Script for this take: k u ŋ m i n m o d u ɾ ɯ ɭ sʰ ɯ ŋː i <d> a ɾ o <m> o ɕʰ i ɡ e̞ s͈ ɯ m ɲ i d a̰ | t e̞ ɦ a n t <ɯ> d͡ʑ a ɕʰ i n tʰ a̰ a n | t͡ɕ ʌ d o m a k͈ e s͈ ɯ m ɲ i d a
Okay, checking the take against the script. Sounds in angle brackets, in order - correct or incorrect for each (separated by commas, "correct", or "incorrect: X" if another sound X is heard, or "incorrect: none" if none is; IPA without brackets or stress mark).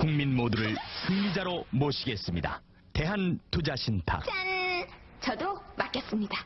incorrect: d͡ʑ, correct, incorrect: u